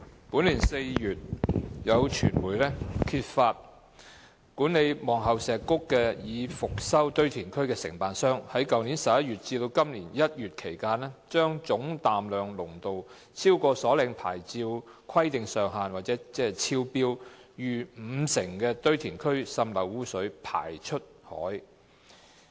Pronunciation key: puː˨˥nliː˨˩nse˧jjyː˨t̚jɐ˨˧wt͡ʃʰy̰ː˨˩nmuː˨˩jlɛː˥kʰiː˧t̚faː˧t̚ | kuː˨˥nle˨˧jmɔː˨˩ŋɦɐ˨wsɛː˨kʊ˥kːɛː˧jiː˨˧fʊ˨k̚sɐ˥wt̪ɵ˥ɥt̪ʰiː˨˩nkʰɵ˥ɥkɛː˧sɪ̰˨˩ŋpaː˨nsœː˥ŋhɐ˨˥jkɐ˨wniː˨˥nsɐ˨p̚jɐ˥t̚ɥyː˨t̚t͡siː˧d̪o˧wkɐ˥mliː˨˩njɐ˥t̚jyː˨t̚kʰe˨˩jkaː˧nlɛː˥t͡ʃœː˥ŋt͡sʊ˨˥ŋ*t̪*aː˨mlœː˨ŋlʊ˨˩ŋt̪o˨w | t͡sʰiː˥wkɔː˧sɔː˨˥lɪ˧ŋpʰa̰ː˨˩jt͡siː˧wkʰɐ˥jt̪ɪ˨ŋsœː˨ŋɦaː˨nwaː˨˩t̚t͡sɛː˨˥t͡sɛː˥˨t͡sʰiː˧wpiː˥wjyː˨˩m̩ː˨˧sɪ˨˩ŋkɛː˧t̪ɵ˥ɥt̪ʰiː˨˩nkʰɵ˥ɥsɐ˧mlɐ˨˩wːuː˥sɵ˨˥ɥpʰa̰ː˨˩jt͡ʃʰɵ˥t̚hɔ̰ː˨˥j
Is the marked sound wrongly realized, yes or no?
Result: no